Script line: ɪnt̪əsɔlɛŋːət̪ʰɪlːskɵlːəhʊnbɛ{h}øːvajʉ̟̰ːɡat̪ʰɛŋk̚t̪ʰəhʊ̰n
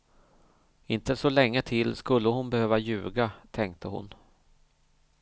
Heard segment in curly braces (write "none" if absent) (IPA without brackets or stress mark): h